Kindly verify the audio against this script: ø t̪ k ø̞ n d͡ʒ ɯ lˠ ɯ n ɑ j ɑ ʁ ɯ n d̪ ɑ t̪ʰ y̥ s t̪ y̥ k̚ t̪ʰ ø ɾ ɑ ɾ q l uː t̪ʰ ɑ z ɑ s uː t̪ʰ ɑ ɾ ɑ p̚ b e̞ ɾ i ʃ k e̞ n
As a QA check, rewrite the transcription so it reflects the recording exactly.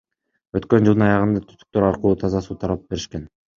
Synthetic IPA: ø t̪ k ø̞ n d͡ʒ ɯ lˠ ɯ n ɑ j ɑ ʁ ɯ n d̪ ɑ t̪ʰ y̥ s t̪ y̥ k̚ t̪ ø ɾ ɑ ɾ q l uː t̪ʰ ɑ z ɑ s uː t̪ʰ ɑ ɾ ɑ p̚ b e̞ ɾ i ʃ k e̞ n